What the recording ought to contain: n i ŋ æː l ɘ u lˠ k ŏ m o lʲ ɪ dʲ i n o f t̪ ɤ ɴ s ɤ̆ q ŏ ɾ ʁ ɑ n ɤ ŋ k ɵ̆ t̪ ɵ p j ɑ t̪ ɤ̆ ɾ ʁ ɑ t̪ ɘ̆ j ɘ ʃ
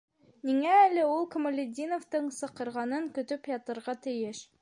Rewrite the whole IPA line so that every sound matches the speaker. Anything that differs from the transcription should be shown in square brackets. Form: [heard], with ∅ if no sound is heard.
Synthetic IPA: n i ŋ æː l ɘ u lˠ k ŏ m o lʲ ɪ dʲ i n o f t̪ ɤ ɴ s ɤ̆ q [ɤ̆] ɾ ʁ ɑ n ɤ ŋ k ɵ̆ t̪ ɵ p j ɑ t̪ ɤ̆ ɾ ʁ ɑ t̪ ɘ̆ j ɘ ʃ